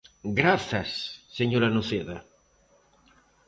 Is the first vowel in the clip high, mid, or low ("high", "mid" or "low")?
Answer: low